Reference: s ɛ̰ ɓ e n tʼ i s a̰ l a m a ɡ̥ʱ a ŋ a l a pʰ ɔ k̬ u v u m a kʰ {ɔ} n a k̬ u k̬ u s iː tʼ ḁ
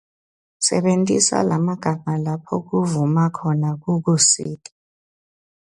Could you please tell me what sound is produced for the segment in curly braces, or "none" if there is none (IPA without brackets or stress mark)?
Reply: ɔ